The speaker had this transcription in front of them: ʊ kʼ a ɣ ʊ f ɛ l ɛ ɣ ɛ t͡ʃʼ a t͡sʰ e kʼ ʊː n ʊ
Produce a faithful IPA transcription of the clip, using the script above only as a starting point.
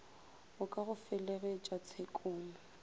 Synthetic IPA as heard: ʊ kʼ a ɣ ʊ f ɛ l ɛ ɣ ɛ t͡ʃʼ a t͡sʰ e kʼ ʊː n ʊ